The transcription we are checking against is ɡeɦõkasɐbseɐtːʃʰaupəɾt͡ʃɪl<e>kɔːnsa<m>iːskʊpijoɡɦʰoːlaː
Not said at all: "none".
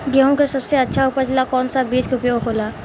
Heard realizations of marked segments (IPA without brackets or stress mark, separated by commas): a, b